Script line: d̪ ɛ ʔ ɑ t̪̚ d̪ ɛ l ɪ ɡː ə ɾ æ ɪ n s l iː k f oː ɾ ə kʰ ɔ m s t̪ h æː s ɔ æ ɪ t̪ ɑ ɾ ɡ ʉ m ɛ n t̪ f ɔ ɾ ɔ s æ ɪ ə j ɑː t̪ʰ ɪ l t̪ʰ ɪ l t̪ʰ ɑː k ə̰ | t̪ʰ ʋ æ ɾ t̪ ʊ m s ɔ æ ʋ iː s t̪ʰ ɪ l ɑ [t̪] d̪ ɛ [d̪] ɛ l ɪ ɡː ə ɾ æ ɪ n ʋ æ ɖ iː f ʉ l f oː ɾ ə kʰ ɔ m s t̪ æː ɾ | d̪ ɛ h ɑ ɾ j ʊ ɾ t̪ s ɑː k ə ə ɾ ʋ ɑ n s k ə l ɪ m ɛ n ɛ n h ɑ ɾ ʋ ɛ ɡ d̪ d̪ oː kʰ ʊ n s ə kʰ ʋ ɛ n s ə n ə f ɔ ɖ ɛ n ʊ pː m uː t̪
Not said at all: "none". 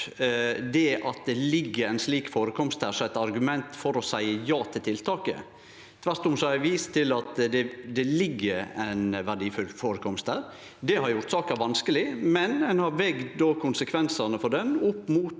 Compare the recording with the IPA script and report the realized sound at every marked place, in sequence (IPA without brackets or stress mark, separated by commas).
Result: t̪, d̪